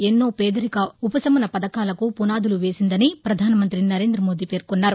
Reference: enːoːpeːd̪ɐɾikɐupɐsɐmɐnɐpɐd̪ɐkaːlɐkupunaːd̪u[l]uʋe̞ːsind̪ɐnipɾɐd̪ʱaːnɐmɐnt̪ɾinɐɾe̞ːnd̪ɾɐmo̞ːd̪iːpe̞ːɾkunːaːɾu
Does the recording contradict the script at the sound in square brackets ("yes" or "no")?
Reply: no